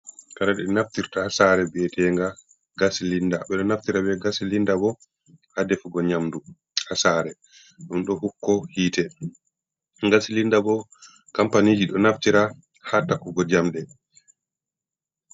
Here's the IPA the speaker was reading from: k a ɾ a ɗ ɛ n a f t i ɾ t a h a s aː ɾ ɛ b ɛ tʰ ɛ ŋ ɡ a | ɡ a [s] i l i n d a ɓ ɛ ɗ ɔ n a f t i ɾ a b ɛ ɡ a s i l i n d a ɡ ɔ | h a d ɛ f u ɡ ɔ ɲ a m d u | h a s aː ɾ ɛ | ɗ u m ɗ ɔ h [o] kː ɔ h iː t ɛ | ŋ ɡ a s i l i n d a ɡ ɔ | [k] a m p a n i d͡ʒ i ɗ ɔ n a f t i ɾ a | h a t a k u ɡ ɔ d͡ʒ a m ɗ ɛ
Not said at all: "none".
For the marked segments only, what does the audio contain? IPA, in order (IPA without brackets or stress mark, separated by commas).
s, u, k